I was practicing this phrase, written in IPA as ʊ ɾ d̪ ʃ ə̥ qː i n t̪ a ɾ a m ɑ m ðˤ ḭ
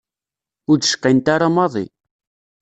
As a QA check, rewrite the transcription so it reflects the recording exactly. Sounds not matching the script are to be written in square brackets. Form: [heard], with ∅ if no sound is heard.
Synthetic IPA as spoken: ʊ ɾ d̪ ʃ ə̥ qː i n t̪ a ɾ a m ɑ [∅] ðˤ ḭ